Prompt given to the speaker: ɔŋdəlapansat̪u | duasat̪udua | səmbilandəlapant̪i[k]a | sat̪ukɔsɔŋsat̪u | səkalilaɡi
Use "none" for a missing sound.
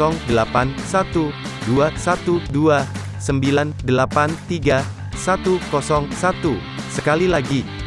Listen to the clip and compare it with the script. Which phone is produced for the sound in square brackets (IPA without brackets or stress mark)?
ɡ